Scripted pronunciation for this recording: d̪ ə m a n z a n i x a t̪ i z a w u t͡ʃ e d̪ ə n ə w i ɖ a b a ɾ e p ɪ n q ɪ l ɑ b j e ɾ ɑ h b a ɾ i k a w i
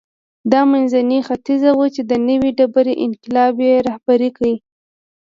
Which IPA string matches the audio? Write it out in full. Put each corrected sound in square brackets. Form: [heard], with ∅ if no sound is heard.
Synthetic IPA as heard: d̪ [ɑ] m a n z a n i x a t̪ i z a w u t͡ʃ e d̪ ə n ə w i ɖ a b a ɾ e [ʔ] ɪ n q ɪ l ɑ b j e ɾ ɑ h b a ɾ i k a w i